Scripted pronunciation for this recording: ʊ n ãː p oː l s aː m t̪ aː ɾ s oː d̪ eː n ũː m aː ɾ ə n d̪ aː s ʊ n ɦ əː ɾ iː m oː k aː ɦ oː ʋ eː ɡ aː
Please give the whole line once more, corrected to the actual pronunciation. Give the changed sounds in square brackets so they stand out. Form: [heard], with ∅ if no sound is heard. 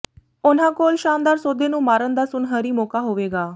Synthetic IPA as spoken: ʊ n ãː [k] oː l [ʃ] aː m [d̪] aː ɾ s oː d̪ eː n ũː m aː ɾ ə n d̪ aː s ʊ n ɦ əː ɾ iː m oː k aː ɦ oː ʋ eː ɡ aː